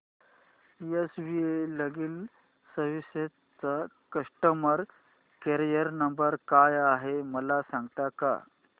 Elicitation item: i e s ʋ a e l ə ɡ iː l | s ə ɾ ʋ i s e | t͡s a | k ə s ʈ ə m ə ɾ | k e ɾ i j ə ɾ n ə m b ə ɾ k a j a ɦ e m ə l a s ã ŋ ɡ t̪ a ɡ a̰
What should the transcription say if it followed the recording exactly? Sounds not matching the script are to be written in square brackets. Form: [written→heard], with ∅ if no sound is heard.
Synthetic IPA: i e s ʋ [a→i] e l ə ɡ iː l | s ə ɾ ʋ i s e | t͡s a | k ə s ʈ ə m ə ɾ | k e ɾ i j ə ɾ n ə m b ə ɾ k a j a ɦ e m ə l a s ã ŋ ɡ t̪ a [ɡ→k] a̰

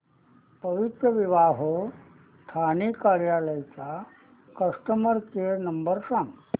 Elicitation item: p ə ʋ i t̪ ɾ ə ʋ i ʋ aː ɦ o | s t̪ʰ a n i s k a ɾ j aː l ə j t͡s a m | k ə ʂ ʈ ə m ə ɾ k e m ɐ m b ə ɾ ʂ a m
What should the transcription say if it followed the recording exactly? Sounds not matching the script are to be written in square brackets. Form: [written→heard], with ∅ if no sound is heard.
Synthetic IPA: p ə ʋ i t̪ ɾ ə ʋ i ʋ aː ɦ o | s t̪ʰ a n i [s→∅] k a ɾ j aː l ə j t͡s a [m→∅] | k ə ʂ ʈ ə m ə ɾ k e [m→n] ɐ m b ə ɾ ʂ a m

